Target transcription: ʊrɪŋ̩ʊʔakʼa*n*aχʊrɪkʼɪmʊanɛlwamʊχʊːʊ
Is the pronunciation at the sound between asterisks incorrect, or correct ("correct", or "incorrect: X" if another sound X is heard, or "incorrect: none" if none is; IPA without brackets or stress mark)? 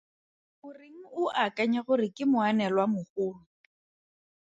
incorrect: ɲ